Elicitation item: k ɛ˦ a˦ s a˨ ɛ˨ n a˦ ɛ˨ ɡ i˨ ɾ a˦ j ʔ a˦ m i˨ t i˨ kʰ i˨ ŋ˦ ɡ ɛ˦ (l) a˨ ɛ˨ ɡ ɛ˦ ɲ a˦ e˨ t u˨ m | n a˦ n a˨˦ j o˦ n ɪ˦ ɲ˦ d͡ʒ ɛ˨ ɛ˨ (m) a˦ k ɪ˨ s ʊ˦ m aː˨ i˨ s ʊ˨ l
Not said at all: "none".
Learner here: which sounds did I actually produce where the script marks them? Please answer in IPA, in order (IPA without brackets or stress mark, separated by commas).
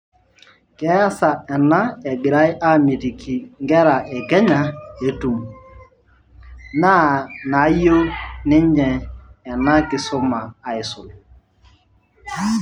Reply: ɾ, n